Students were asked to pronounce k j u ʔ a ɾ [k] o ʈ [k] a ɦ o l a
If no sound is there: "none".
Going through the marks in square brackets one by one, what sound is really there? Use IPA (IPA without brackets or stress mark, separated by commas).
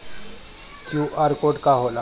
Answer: k, k